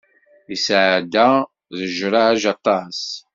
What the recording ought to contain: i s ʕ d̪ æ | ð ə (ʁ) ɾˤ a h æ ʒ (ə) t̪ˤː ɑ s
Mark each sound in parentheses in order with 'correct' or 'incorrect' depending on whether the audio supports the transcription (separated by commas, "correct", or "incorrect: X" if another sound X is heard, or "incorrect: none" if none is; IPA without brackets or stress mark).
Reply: incorrect: ʒ, incorrect: ɑ